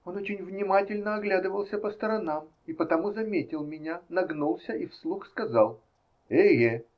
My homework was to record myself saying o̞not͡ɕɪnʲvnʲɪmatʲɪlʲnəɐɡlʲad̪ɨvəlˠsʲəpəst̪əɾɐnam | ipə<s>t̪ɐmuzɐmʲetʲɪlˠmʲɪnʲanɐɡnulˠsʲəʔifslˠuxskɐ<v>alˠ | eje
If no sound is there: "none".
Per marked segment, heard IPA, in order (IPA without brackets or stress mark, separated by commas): none, z